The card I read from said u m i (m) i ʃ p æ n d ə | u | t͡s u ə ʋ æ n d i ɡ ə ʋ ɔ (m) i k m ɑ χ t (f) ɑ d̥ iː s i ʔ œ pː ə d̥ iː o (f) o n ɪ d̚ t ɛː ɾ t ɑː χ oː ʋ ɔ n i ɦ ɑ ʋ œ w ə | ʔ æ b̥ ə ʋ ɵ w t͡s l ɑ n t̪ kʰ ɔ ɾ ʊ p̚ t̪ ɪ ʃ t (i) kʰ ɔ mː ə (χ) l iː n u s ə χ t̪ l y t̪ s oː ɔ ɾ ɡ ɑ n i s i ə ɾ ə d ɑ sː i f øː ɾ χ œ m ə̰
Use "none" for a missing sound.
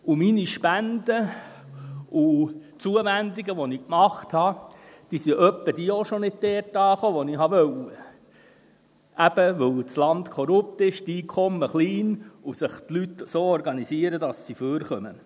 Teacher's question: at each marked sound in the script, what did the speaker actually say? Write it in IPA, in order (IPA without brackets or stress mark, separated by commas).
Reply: n, n, h, ʃ, iː, χ